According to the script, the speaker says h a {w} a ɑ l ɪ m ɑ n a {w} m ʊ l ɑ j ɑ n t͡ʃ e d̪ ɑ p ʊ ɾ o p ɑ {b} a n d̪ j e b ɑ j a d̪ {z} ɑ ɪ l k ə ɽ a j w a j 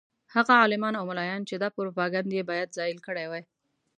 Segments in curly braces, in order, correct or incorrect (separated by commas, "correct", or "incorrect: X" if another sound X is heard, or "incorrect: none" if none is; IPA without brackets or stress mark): incorrect: ɣ, correct, incorrect: ɡ, correct